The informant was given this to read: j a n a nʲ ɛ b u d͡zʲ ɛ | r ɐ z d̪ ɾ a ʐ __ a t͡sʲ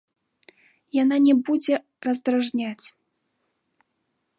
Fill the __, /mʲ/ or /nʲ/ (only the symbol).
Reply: nʲ